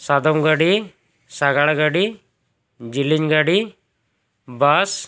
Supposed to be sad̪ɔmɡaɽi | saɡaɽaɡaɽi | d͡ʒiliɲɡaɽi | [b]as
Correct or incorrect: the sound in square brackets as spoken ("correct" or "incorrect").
correct